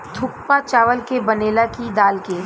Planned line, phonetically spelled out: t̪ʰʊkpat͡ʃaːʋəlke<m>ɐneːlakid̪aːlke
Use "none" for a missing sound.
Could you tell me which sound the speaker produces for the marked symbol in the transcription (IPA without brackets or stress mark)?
b